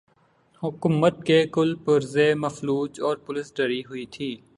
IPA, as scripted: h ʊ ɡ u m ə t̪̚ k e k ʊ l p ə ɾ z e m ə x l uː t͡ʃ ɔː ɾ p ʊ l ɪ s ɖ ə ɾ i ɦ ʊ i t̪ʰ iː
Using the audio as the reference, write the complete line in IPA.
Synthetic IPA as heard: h ʊ k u m ə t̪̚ k e k ʊ l p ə ɾ z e m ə f l uː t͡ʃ ɔː ɾ p ʊ l ɪ s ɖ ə ɾ i ɦ ʊ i t̪ʰ iː